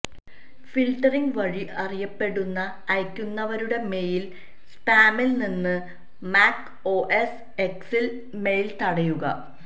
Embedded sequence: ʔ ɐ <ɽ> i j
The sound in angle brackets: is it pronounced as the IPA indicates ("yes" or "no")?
no